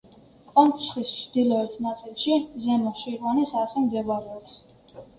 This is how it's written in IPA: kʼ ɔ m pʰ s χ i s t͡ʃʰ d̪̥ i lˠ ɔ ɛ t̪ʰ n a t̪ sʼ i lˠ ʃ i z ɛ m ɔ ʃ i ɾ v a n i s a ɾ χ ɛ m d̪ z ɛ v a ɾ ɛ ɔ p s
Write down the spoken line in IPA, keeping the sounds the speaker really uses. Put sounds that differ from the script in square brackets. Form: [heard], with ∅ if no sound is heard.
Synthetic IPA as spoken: kʼ ɔ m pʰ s χ i s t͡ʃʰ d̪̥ i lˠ ɔ ɛ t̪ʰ n a t̪ sʼ i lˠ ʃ i z ɛ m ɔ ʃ i ɾ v a n i s a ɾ χ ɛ m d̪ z ɛ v a ɾ ɛ ɔ p s